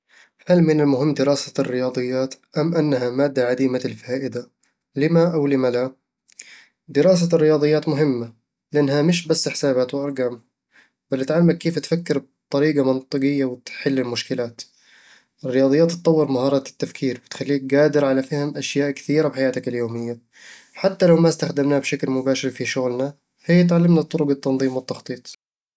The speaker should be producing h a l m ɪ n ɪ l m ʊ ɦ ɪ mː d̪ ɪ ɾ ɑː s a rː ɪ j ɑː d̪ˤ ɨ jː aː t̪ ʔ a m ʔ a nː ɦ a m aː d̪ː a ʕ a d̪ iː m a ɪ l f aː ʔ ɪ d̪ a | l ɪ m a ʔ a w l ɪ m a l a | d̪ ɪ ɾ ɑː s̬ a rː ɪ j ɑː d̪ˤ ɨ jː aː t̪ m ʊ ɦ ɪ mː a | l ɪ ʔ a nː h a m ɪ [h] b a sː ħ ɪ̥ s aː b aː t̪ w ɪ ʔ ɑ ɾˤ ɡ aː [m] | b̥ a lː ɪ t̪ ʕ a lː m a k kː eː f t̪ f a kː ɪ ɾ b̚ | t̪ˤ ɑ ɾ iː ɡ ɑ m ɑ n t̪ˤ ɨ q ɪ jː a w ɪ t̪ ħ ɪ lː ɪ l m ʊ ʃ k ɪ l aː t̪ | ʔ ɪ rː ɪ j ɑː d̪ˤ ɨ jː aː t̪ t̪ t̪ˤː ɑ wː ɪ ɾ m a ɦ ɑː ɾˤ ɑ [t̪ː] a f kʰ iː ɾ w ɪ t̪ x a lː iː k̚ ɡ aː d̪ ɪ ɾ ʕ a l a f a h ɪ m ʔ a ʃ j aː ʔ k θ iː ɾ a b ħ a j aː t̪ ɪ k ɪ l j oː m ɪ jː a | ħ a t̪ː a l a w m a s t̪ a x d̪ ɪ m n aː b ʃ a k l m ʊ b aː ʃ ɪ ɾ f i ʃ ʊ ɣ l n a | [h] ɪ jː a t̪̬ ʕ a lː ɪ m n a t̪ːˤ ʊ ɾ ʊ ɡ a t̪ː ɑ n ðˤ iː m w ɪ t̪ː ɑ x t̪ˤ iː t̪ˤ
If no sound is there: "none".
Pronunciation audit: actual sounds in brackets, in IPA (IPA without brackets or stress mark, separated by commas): ʃ, m, t̪ː, h